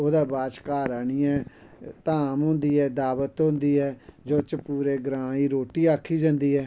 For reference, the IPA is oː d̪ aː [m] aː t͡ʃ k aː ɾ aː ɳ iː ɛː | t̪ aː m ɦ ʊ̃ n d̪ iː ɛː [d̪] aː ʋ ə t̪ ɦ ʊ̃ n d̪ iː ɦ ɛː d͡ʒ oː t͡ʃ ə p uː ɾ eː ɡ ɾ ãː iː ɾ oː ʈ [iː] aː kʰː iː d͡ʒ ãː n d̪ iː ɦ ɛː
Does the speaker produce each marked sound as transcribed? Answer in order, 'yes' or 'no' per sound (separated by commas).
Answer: no, yes, yes